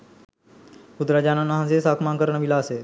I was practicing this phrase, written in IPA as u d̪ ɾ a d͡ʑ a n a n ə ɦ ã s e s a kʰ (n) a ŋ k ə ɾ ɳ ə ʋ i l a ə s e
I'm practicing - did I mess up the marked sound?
yes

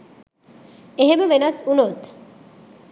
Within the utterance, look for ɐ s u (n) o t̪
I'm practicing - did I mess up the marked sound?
no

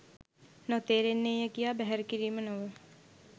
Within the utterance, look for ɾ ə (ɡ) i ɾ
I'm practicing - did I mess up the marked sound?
yes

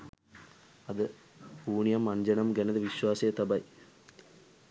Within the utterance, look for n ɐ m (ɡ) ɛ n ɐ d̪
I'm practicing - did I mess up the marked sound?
no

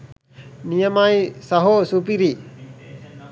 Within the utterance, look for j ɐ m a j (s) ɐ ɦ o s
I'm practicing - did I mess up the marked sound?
no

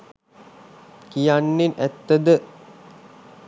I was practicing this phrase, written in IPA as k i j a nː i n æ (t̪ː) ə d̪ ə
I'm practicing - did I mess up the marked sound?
no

